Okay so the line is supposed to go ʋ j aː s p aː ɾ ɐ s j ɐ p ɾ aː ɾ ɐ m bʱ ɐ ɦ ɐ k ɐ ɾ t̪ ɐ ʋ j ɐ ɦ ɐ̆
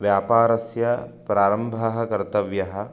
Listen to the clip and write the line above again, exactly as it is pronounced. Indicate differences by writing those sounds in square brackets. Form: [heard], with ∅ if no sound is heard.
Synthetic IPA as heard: ʋ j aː [∅] p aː ɾ ɐ s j ɐ p ɾ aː ɾ ɐ m bʱ ɐ ɦ ɐ k ɐ ɾ t̪ ɐ ʋ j ɐ ɦ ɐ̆